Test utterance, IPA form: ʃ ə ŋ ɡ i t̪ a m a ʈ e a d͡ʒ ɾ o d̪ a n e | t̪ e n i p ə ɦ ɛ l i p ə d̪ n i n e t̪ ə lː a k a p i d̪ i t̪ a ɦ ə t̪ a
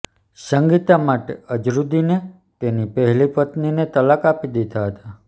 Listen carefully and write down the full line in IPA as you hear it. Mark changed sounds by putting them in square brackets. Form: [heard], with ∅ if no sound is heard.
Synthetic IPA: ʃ ə ŋ ɡ i t̪ a m a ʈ e [ə] d͡ʒ ɾ [u] d̪ [i] n e | t̪ e n i p ə ɦ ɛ l i p ə [t̪] n i n e t̪ ə [l] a k a p i d̪ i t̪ a ɦ ə t̪ a